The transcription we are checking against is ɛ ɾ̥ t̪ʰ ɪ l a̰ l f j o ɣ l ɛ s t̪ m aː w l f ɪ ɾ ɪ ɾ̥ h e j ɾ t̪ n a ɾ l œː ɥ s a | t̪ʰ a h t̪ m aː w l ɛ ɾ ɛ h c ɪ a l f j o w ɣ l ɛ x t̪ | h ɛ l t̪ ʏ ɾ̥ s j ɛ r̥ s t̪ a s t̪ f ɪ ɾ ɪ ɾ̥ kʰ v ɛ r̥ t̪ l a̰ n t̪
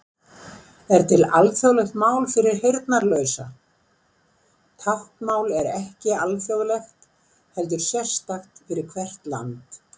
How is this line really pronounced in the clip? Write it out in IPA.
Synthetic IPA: ɛ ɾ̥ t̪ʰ ɪ l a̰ l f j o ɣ l ɛ x t̪ m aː w l f ɪ ɾ ɪ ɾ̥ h e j ɾ t̪ n a ɾ l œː ɥ s a | t̪ʰ a h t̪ m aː w l ɛ ɾ ɛ h c ɪ a l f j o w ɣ l ɛ x t̪ | h ɛ l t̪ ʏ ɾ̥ s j ɛ r̥ s t̪ a x t̪ f ɪ ɾ ɪ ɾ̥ kʰ v ɛ r̥ t̪ l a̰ n t̪